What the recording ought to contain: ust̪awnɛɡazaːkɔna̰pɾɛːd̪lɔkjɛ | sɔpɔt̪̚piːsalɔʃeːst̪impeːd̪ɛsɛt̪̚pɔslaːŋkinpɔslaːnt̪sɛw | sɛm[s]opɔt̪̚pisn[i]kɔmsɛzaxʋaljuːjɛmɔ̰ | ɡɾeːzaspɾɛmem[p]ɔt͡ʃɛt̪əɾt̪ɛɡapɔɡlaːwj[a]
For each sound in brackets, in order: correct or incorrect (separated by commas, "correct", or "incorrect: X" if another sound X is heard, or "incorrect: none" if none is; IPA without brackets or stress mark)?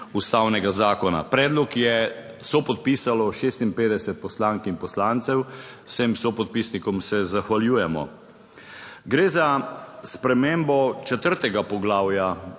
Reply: correct, correct, incorrect: b, correct